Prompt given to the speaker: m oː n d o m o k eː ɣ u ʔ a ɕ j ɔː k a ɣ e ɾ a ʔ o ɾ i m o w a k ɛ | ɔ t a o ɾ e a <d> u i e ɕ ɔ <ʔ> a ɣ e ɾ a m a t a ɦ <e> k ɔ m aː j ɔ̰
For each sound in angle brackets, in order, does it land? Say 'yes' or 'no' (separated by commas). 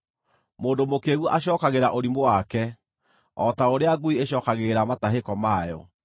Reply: no, no, yes